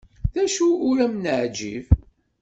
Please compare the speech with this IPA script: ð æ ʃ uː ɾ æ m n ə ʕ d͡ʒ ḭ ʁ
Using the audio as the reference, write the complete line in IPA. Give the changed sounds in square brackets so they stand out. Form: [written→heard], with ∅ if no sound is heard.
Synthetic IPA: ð æ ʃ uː ɾ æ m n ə ʕ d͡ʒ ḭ [ʁ→v]